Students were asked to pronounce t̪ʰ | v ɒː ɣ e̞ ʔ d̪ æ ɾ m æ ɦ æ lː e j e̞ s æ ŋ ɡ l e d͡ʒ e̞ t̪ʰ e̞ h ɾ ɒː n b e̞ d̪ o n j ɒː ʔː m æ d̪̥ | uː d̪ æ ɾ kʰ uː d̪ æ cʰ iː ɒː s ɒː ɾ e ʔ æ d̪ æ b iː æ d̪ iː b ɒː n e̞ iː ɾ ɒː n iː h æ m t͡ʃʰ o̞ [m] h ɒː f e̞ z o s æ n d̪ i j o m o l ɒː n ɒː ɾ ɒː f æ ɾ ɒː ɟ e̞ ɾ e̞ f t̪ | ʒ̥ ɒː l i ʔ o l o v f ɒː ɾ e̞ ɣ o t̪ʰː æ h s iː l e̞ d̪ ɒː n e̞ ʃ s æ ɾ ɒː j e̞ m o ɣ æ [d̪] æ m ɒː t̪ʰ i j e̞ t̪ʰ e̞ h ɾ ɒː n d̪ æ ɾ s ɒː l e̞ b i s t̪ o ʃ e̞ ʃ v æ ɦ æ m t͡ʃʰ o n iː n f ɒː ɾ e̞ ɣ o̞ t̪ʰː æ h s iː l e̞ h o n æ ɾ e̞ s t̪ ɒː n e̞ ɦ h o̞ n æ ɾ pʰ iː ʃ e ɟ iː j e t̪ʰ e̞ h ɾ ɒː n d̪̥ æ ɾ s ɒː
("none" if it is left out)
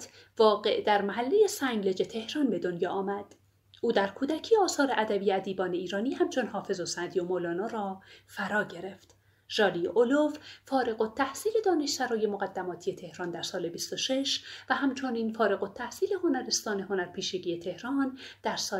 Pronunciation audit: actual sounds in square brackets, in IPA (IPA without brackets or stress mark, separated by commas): n, d̪ː